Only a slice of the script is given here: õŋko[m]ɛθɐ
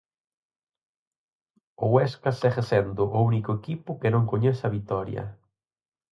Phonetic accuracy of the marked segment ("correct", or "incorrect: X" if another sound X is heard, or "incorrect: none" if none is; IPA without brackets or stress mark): incorrect: ɲ